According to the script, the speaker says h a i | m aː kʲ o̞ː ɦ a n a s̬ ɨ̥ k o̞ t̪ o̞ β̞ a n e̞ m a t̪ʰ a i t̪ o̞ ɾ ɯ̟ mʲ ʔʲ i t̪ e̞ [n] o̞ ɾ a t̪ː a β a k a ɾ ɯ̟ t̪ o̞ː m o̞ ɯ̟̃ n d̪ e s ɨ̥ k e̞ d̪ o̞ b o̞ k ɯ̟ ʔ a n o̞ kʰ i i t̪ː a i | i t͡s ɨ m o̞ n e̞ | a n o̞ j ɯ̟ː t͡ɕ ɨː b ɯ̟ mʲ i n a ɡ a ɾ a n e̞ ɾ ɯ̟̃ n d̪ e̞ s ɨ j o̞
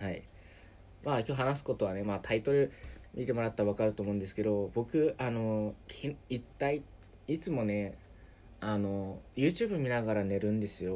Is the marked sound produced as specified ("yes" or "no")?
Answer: no